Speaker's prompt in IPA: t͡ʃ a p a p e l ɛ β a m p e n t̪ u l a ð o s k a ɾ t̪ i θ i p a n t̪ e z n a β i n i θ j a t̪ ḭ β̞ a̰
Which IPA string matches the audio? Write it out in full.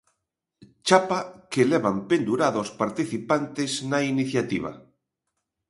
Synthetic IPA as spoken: t͡ʃ a p a k e l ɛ β a m p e n d̪ u ɾ a ð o s p a ɾ t̪ i θ i p a n t̪ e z n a i n i θ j a t̪ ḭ β̞ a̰